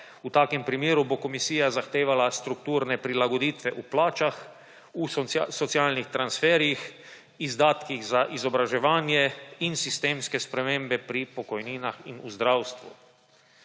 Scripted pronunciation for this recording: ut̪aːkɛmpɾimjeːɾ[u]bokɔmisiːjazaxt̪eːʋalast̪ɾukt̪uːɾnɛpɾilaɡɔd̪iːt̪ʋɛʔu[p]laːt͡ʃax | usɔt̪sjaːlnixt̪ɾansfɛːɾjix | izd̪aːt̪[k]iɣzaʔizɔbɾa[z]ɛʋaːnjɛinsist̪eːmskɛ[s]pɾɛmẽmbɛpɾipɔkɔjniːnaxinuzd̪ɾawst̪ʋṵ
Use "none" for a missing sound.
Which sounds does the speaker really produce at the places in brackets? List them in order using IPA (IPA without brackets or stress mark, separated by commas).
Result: u, p, k, ʒ, s